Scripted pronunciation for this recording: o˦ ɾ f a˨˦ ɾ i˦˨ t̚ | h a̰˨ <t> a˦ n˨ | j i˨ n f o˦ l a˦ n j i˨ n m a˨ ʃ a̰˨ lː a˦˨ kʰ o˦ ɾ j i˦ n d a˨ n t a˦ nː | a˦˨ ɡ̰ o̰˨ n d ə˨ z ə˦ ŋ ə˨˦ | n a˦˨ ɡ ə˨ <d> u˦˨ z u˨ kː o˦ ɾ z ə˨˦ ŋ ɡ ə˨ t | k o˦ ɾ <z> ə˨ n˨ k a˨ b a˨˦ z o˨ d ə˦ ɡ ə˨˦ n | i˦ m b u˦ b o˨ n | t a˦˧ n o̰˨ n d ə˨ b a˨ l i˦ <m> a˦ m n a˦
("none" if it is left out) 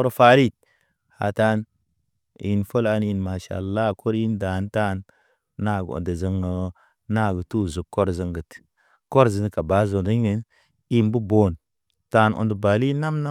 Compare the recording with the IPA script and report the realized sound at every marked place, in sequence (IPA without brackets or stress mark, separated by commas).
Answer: t, t, z, n